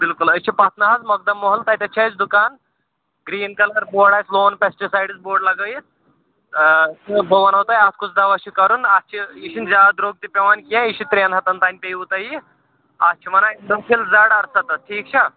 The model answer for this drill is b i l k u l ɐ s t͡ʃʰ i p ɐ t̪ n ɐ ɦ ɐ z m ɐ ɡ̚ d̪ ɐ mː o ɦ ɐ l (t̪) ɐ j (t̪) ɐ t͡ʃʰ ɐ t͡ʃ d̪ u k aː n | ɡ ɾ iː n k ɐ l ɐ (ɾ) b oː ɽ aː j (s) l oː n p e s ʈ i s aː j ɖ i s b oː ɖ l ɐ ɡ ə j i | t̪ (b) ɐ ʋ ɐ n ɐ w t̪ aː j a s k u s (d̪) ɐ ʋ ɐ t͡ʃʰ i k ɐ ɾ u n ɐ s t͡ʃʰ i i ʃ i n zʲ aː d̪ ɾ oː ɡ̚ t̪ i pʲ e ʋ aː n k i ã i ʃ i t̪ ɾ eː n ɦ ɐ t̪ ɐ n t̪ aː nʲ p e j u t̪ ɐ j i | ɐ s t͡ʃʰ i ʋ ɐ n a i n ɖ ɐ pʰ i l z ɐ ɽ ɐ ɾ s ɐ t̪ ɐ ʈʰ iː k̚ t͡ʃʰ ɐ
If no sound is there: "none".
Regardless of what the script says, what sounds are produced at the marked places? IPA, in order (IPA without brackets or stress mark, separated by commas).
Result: t̪, t̪, ɾ, s, b, d̪